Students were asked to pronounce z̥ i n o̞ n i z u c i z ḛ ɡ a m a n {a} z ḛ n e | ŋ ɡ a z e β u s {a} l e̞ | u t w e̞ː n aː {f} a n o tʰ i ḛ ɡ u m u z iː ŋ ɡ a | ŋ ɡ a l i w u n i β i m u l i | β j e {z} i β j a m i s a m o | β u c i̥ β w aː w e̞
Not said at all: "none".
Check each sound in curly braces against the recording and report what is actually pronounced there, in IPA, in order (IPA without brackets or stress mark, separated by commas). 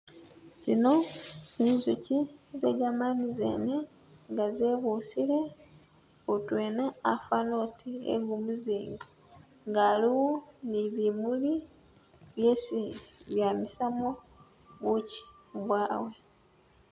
i, i, f, s